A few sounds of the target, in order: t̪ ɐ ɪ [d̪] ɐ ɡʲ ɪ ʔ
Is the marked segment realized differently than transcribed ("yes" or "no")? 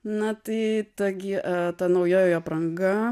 yes